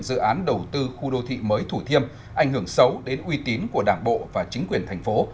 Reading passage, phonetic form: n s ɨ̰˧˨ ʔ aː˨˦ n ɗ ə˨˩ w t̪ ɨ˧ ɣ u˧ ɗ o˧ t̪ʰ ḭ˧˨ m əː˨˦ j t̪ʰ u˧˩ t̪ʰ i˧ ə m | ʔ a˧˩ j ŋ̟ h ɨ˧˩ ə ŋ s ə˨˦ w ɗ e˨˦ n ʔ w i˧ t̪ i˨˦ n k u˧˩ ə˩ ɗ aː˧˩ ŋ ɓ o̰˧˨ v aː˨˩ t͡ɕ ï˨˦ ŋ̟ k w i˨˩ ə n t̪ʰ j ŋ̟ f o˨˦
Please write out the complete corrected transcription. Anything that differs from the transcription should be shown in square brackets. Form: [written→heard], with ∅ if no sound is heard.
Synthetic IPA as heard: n [s→z] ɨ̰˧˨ ʔ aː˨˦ n ɗ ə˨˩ w t̪ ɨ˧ [ɣ→x] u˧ ɗ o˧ t̪ʰ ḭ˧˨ m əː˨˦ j t̪ʰ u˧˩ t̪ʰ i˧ ə m | ʔ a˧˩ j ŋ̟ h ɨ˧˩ ə ŋ s ə˨˦ w ɗ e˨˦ n ʔ w i˧ t̪ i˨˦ n k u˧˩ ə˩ ɗ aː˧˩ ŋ ɓ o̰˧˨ v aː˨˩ t͡ɕ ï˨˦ ŋ̟ k w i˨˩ ə n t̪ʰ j ŋ̟ f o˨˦